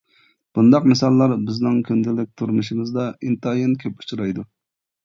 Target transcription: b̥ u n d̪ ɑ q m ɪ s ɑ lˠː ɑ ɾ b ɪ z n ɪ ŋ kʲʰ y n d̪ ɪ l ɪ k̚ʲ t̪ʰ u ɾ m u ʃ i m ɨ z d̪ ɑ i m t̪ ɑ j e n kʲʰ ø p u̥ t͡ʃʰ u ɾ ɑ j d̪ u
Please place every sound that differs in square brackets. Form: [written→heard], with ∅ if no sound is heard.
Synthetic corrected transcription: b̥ u n d̪ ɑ q m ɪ s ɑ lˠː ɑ ɾ b ɪ z n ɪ ŋ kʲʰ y n d̪ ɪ l ɪ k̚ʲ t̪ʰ u ɾ m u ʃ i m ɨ z d̪ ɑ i [m→n] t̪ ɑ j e n kʲʰ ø p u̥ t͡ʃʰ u ɾ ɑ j d̪ u